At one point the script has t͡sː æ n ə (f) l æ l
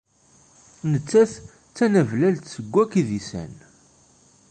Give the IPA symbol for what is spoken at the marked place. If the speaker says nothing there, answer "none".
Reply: v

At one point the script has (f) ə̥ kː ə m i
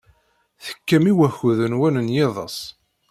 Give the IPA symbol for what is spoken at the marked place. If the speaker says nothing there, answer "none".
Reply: θ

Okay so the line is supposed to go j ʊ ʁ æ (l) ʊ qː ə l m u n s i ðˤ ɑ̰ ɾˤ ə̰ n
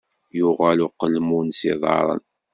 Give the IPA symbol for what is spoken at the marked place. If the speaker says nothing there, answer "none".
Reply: l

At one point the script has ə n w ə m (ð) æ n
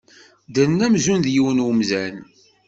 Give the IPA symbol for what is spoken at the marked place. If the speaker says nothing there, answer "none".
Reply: z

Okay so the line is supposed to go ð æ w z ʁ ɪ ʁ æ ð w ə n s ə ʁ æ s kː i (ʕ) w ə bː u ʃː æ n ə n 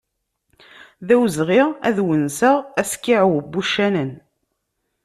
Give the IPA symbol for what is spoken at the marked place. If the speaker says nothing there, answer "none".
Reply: ʕ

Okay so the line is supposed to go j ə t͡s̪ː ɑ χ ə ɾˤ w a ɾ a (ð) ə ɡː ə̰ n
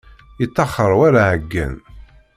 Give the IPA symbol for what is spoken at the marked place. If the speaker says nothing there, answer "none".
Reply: ʕ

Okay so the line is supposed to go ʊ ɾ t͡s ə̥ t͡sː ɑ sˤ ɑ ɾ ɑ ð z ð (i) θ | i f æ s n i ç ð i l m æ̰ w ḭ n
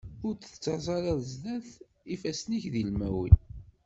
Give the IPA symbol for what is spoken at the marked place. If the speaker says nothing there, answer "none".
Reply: æ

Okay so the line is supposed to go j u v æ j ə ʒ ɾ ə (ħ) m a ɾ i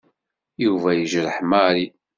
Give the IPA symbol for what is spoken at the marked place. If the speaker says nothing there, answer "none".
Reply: ħ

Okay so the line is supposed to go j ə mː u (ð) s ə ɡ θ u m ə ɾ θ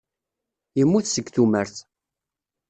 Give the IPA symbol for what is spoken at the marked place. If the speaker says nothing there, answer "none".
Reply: θ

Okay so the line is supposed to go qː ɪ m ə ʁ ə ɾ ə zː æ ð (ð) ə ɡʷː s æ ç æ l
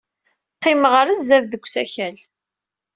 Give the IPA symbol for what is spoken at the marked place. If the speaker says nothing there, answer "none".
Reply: ð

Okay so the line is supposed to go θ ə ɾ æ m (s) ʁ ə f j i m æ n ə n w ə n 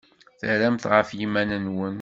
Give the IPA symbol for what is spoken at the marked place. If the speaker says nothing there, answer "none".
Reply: θ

